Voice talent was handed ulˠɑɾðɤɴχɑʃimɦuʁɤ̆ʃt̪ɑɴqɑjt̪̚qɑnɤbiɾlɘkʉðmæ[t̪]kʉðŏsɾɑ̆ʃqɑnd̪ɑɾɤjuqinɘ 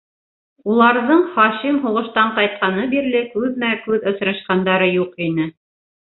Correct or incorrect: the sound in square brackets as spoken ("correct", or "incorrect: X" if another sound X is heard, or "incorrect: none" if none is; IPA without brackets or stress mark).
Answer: incorrect: none